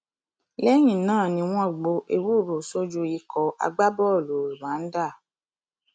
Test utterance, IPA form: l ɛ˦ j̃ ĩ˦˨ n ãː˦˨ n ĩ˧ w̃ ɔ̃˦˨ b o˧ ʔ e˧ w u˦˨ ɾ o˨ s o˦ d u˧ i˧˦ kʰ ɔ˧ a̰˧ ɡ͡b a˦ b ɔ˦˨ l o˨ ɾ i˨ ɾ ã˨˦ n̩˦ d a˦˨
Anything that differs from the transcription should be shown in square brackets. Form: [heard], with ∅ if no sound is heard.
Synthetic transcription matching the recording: l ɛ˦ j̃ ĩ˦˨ n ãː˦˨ n ĩ˧ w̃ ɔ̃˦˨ [ɡ͡b] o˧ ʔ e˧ w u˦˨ ɾ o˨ s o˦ [d͡ʒ] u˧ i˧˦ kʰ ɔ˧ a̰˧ ɡ͡b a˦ b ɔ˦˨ l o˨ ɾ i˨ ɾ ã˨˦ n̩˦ d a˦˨